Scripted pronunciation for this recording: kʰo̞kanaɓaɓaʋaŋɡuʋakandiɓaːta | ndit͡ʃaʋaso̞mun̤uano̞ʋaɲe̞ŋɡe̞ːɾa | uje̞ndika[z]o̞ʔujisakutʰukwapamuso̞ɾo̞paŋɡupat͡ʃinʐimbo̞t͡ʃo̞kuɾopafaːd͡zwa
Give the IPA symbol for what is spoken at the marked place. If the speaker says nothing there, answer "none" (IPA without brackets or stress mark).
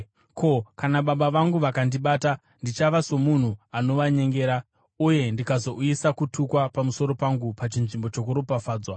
z